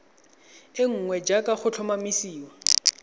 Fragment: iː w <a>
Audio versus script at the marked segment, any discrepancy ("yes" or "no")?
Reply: no